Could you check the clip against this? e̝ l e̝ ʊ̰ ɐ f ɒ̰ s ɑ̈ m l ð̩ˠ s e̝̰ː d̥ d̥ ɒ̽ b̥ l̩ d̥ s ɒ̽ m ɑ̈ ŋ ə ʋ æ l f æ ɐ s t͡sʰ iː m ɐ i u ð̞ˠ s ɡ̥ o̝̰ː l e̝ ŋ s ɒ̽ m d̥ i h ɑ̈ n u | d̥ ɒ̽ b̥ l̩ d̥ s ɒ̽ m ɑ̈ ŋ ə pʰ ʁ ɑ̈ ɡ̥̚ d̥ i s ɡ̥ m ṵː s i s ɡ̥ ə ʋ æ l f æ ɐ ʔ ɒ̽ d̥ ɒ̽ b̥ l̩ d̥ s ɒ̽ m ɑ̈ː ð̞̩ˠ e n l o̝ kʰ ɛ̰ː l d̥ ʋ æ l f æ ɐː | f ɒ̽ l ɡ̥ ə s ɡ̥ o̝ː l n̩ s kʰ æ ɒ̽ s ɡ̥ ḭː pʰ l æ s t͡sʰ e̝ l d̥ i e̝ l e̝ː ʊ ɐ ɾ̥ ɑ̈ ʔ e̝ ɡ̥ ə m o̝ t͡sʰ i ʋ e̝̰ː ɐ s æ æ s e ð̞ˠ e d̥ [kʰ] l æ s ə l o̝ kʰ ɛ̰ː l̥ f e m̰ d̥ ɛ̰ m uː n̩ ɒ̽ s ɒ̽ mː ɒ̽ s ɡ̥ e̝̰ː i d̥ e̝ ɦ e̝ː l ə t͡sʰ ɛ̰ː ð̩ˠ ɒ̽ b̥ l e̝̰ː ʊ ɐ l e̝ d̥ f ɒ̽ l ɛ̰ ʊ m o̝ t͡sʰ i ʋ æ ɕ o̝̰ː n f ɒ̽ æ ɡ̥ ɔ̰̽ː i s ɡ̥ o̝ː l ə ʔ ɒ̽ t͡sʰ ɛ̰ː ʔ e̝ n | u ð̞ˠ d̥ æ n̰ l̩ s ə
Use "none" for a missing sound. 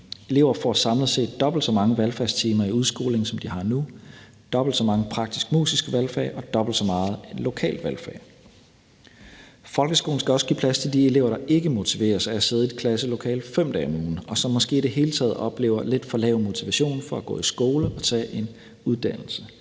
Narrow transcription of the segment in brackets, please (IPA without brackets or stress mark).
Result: kʰ